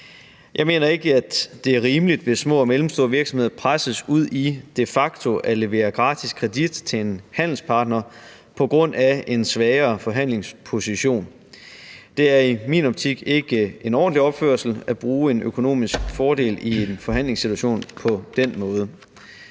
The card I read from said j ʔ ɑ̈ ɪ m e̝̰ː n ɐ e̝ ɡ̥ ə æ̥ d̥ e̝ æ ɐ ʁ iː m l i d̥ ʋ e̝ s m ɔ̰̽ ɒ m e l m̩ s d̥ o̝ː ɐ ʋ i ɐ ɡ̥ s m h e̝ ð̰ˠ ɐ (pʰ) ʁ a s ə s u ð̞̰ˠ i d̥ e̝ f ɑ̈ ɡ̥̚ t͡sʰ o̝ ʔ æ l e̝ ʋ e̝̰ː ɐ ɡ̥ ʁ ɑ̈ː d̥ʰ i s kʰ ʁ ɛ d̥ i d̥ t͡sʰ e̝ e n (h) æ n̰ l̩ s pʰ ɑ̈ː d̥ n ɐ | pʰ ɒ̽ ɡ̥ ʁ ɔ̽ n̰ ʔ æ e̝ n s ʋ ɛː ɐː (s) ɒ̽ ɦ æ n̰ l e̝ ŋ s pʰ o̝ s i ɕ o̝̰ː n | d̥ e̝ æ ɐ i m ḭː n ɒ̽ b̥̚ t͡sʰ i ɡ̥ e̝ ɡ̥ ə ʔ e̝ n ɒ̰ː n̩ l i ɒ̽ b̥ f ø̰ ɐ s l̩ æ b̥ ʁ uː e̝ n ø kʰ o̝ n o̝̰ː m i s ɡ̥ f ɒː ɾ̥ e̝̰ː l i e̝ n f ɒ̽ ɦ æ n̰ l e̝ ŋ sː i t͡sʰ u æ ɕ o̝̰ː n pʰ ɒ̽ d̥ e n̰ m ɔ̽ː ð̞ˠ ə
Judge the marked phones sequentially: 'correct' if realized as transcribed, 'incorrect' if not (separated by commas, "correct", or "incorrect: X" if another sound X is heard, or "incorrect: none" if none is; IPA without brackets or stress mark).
correct, correct, incorrect: f